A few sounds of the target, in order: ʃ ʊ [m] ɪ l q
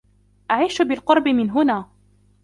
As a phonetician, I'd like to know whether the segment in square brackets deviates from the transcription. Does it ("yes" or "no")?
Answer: yes